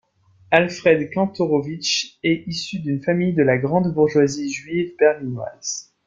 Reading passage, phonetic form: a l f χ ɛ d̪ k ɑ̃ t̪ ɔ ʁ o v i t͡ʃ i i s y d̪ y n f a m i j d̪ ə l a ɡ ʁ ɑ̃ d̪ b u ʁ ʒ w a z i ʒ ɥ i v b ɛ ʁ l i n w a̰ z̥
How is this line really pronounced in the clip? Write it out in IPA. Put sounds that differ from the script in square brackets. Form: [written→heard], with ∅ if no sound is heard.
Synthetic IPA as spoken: a l f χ ɛ d̪ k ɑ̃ t̪ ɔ ʁ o v i t͡ʃ [i→ɛ] i s y d̪ y n f a m i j d̪ ə l a ɡ ʁ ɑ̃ d̪ b u ʁ ʒ w a z i ʒ ɥ i v b ɛ ʁ l i n w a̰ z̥